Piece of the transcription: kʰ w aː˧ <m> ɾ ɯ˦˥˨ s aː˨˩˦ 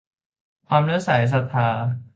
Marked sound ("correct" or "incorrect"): correct